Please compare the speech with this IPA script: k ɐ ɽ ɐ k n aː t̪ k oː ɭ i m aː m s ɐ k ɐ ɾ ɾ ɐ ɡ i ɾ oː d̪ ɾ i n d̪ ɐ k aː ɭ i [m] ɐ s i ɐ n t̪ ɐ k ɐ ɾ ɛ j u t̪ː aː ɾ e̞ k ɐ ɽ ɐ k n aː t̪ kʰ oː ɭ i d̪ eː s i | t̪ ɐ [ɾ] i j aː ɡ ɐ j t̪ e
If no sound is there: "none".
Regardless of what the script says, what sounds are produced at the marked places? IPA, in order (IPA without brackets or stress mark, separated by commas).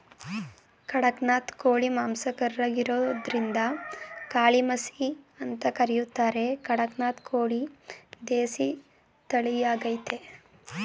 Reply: m, ɭ